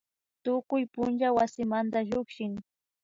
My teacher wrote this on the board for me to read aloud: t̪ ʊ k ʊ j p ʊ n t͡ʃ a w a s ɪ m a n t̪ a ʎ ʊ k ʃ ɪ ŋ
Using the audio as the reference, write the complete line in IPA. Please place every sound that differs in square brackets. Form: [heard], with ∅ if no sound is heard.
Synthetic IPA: t̪ ʊ k ʊ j p ʊ n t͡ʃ a w a s ɪ m a n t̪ a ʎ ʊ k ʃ ɪ ŋ